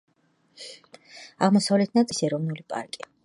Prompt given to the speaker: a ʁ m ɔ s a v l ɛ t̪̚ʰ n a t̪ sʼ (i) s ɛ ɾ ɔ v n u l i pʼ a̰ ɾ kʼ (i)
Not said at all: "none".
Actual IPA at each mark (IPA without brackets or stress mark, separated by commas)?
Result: i, i